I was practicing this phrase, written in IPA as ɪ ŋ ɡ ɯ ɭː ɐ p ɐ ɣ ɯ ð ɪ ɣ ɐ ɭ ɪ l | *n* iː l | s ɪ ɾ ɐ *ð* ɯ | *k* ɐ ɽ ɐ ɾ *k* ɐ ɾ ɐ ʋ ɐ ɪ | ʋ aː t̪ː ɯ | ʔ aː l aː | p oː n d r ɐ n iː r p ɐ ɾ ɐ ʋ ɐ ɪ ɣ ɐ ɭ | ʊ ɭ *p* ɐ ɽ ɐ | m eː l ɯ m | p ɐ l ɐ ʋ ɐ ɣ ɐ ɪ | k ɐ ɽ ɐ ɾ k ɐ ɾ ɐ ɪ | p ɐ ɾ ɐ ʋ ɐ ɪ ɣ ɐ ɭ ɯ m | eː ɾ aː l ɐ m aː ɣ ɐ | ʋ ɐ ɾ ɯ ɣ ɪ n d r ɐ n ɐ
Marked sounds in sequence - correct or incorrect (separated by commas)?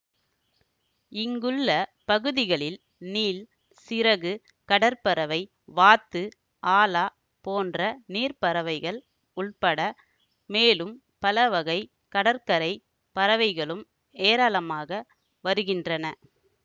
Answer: correct, incorrect, correct, incorrect, correct